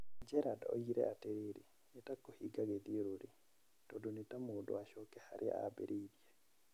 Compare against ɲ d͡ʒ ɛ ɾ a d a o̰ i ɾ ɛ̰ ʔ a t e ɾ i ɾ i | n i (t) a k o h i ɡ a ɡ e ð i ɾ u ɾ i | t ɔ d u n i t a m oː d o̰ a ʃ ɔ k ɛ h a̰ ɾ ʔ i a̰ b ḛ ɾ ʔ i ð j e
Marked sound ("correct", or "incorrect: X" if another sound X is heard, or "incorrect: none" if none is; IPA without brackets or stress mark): correct